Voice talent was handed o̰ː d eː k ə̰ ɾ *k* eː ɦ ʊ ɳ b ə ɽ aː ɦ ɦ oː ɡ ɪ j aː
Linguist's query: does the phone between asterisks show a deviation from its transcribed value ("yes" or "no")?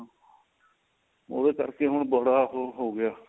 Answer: no